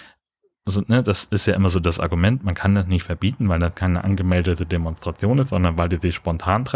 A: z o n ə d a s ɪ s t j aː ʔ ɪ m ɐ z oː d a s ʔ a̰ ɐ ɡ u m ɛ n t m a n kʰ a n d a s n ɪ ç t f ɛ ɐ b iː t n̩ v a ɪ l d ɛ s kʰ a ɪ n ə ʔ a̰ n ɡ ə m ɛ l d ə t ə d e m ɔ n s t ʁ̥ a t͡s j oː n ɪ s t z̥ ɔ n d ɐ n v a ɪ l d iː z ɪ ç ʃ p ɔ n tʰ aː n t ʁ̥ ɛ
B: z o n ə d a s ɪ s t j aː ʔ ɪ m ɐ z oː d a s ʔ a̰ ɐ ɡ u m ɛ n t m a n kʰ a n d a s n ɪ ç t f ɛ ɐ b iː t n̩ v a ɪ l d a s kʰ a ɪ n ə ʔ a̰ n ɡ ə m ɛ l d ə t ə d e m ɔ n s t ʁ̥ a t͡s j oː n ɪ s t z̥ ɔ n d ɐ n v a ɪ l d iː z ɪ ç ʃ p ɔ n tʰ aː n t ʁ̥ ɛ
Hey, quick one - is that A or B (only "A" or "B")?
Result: B